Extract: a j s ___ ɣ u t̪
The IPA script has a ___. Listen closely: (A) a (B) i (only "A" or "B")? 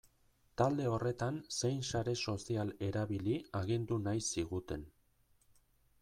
B